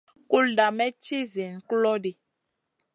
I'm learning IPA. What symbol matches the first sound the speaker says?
k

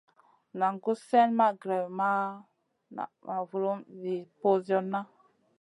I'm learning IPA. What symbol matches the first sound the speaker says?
n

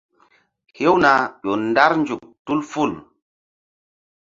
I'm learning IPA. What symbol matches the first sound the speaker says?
h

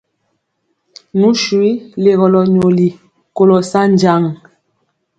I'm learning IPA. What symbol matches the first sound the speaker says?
n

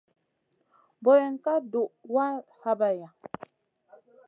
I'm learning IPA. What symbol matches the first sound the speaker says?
b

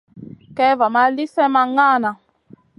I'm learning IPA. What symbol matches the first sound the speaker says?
k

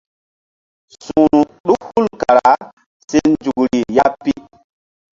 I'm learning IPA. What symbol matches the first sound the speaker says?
s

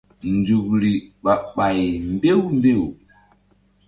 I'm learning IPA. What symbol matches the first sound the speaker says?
n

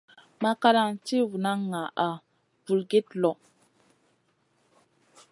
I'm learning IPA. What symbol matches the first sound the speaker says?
m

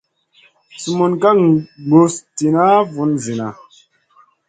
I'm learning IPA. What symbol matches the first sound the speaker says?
s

